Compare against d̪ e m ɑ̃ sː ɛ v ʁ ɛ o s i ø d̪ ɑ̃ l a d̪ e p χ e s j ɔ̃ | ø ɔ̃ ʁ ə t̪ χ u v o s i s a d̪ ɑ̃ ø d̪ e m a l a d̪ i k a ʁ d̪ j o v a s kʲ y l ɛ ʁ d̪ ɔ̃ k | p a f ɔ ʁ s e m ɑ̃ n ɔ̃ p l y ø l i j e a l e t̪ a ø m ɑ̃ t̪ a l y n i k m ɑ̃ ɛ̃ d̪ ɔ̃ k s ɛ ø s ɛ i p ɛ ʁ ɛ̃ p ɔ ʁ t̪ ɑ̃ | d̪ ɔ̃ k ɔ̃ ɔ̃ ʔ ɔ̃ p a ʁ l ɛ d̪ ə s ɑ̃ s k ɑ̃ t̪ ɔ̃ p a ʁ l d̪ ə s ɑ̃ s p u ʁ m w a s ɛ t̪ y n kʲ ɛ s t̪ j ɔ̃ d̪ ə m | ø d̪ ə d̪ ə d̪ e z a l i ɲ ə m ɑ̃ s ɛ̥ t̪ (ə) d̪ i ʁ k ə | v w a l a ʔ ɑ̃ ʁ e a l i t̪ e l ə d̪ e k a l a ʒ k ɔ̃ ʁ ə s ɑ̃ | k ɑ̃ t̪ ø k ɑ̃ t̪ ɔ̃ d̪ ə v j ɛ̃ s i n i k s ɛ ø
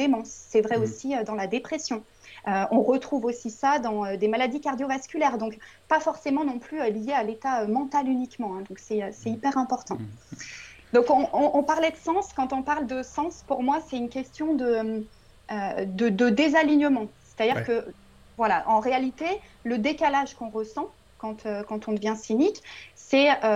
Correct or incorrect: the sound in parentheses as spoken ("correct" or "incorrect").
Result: incorrect